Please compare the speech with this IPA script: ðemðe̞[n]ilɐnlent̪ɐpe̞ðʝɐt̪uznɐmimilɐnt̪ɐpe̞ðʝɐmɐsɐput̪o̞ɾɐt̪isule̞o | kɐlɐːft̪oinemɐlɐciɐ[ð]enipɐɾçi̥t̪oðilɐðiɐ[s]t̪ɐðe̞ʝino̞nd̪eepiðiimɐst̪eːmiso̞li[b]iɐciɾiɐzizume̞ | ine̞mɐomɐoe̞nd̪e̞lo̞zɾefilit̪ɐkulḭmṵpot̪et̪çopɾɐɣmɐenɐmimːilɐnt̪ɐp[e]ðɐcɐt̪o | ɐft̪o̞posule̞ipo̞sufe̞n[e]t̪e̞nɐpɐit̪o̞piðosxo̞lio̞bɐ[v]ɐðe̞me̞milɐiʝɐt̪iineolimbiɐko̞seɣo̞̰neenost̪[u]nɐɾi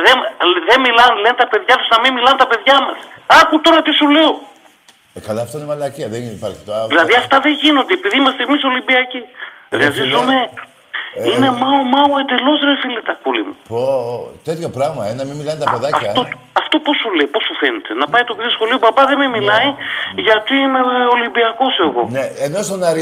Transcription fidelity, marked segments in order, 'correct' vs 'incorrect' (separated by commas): incorrect, correct, incorrect, correct, correct, correct, incorrect, incorrect